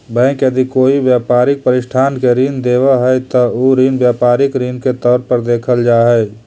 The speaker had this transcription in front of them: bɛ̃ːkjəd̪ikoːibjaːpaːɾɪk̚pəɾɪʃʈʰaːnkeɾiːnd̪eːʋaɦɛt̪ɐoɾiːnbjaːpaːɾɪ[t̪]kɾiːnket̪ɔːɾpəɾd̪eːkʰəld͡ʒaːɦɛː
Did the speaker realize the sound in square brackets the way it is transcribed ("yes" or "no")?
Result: no